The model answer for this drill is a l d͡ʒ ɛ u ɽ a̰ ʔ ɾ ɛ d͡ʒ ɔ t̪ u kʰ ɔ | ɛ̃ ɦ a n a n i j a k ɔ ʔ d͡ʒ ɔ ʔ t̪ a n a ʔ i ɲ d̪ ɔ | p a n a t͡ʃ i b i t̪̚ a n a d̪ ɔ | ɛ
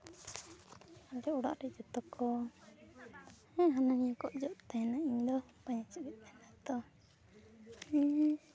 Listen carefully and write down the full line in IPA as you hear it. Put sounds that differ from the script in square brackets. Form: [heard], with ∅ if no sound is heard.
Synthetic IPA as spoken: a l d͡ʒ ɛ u ɽ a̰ ʔ ɾ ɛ d͡ʒ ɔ t̪ [ɔ] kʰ ɔ | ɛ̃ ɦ a n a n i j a k ɔ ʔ d͡ʒ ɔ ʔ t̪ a n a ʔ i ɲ d̪ ɔ | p a [ɲ] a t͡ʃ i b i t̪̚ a n a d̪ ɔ | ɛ